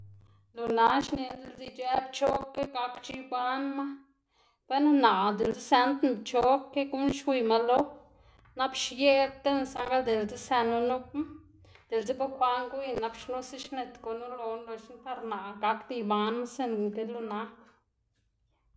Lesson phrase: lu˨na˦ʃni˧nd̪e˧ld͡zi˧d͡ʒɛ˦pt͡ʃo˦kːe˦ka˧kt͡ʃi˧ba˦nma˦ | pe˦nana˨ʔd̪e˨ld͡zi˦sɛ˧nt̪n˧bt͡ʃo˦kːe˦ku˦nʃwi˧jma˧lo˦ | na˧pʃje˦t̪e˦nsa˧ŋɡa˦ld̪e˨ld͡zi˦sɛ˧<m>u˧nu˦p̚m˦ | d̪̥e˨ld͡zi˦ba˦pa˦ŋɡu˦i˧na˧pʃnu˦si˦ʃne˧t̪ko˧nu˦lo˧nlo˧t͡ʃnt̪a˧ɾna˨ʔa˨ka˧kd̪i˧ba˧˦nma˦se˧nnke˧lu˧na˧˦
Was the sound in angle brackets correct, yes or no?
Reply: no